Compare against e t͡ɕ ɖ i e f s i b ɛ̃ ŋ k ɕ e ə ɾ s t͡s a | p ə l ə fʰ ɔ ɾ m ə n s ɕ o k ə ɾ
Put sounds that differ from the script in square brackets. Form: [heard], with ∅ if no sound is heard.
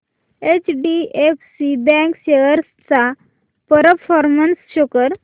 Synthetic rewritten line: e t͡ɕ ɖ i e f s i b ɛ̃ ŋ k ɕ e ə ɾ s t͡s a | p ə [ɾ] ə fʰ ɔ ɾ m ə n s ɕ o k ə ɾ